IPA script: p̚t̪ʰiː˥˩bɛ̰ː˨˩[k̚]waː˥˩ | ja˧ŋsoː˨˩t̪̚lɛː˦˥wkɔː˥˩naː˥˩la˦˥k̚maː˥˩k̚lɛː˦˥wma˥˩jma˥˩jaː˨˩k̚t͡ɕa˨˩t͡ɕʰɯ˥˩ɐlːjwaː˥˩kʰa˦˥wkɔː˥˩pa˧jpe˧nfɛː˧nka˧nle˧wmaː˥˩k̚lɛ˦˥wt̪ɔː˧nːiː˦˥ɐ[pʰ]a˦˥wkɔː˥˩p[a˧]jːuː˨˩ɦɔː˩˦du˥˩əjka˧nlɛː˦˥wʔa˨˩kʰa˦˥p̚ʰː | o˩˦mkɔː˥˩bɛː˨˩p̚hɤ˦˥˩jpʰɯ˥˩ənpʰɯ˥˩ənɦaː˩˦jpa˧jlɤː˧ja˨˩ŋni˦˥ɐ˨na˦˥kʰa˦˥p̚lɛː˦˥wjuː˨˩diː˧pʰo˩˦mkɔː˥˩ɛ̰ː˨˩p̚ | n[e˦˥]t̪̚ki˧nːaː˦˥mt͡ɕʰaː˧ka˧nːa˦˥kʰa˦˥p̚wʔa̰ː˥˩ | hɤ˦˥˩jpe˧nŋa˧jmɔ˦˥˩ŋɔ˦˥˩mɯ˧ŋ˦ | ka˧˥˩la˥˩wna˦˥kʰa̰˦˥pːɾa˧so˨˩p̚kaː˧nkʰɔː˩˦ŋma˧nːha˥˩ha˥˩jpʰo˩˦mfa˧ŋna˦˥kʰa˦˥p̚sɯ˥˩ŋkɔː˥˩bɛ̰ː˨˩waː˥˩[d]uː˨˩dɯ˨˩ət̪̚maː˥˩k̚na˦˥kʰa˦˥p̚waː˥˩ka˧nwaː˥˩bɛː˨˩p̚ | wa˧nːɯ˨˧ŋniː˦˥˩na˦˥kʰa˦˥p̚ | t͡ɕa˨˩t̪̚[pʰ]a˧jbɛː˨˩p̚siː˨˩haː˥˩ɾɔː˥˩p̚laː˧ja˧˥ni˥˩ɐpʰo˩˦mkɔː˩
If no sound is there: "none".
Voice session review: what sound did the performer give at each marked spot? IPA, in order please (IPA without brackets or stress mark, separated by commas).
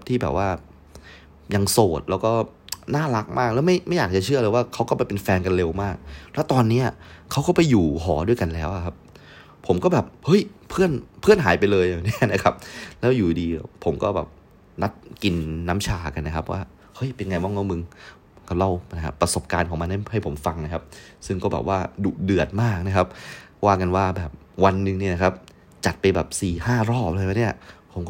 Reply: p̚, kʰ, a˧, a˦˥, d, p